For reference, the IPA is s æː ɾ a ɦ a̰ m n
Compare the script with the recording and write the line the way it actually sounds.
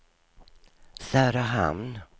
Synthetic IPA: s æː ɾ a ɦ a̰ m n